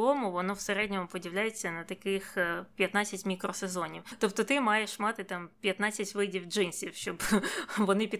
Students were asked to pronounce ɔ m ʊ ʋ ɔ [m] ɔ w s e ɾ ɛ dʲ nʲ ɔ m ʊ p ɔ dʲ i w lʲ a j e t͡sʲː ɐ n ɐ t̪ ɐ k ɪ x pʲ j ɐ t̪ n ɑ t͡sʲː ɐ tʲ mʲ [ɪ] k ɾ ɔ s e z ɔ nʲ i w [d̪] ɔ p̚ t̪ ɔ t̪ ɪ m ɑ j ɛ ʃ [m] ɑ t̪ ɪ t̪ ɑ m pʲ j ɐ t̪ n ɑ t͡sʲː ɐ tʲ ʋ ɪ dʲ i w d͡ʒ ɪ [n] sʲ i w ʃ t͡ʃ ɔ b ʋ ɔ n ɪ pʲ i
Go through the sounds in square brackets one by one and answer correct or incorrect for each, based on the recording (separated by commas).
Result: incorrect, incorrect, incorrect, correct, correct